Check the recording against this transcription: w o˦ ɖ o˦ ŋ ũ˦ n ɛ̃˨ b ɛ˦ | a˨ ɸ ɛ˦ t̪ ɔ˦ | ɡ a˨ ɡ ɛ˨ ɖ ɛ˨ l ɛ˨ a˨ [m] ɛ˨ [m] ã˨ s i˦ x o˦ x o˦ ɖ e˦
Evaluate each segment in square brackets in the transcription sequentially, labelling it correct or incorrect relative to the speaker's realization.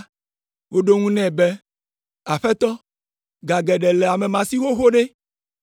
correct, correct

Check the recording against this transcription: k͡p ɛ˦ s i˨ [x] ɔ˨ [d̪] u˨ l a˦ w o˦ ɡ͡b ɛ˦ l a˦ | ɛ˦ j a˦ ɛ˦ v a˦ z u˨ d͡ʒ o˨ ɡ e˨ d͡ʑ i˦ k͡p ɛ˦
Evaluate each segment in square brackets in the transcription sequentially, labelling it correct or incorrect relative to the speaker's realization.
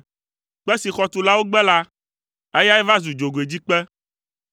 correct, incorrect: t̪

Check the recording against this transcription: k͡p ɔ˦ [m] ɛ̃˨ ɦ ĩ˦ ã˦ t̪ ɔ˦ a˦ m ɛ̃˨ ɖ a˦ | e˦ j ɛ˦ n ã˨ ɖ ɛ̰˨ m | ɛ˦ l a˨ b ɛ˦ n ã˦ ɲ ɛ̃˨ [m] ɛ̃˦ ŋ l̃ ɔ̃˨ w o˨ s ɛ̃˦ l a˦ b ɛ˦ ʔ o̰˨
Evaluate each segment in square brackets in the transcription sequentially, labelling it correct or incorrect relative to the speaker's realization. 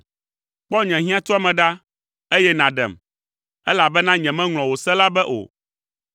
incorrect: ɲ, correct

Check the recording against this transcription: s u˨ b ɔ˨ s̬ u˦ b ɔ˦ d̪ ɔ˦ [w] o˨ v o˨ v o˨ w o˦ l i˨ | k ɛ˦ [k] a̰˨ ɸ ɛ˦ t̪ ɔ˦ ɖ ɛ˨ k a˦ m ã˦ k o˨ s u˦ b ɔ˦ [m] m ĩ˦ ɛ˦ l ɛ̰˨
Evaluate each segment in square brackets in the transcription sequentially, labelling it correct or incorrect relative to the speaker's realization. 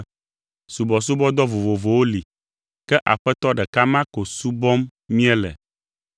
incorrect: v, incorrect: ʔ, correct

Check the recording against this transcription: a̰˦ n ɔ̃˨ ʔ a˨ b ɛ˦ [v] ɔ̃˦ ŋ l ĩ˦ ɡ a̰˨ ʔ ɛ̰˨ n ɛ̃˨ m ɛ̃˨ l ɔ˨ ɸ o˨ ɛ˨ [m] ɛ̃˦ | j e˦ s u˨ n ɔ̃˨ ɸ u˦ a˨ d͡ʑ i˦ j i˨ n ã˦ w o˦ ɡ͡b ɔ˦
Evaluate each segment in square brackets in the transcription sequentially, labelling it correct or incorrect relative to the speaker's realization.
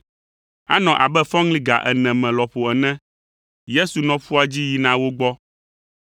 incorrect: f, incorrect: n

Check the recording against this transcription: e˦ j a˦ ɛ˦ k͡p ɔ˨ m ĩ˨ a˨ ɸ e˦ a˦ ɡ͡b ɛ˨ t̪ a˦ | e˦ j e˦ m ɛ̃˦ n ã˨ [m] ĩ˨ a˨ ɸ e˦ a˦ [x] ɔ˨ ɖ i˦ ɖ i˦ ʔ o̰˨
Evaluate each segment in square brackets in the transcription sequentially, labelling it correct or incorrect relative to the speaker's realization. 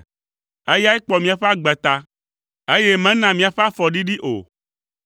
correct, incorrect: f

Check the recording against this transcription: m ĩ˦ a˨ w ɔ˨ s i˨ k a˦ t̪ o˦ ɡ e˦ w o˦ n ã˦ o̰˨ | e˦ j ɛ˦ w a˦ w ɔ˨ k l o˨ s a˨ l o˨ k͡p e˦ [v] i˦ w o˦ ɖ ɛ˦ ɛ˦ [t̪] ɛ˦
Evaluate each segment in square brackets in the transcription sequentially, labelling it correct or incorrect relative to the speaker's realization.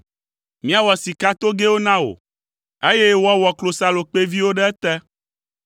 correct, correct

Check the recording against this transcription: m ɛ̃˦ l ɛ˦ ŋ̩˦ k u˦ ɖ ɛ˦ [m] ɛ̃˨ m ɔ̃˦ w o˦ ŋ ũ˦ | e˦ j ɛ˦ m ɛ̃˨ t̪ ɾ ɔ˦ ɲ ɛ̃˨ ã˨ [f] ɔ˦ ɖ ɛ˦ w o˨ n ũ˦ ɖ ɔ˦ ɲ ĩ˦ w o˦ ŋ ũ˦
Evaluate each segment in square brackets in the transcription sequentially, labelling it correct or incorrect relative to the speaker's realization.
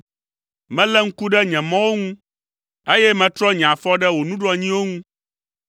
incorrect: ɲ, correct

